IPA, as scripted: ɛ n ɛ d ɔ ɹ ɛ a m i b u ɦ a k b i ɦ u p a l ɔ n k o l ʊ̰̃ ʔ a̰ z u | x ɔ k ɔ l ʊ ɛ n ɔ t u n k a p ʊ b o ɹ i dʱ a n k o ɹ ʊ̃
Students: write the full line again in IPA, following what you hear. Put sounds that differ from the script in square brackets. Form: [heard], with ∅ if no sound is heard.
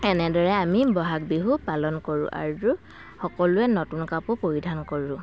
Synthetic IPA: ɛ n ɛ d ɔ ɹ ɛ a m i b [ɔ] ɦ a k b i ɦ u p a l ɔ n k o [ɹ] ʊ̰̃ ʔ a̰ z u | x ɔ k ɔ l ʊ ɛ n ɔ t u n k a p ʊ [p] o ɹ i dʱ a n k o ɹ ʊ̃